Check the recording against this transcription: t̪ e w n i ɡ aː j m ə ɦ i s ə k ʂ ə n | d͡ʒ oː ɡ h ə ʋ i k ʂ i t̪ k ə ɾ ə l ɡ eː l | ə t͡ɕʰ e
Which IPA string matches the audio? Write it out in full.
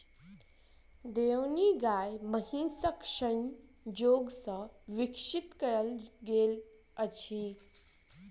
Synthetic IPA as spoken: d̪ e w n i ɡ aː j m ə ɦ i s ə k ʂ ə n | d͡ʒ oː ɡ s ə ʋ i k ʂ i t̪ k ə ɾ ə l ɡ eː l | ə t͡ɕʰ i